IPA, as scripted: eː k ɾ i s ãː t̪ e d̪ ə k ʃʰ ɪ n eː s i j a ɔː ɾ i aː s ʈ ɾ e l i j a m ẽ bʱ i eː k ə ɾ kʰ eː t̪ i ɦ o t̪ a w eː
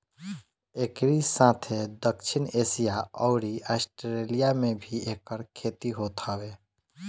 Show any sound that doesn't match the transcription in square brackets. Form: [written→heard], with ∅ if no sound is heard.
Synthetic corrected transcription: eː k ɾ i s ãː [t̪→t̪ʰ] e d̪ ə k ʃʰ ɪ n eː s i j a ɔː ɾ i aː s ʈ ɾ e l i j a m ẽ bʱ i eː k ə ɾ kʰ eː t̪ i ɦ o t̪ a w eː